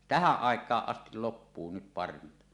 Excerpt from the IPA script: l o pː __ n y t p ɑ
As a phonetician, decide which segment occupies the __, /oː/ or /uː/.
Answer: uː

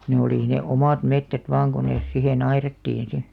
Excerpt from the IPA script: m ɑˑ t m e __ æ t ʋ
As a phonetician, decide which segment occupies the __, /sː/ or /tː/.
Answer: tː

